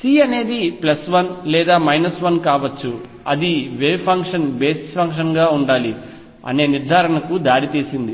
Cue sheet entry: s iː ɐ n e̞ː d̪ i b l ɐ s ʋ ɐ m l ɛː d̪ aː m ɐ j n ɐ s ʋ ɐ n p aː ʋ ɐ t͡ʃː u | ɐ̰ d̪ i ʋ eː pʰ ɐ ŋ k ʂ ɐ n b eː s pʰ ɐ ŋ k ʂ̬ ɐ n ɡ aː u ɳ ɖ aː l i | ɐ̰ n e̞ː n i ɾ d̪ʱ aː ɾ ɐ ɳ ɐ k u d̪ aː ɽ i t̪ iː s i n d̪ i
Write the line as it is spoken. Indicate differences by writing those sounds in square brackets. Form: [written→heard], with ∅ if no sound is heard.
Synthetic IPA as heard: s iː ɐ n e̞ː d̪ i [b→p] l ɐ s ʋ ɐ [m→n] l ɛː d̪ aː m ɐ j n ɐ s ʋ ɐ n [p→k] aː ʋ ɐ t͡ʃː u | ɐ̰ d̪ i ʋ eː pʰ ɐ ŋ k ʂ ɐ n b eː s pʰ ɐ ŋ k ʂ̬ ɐ n ɡ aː u ɳ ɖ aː l i | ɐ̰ n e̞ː n i ɾ d̪ʱ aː ɾ ɐ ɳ ɐ k u d̪ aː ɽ i t̪ iː s i n d̪ i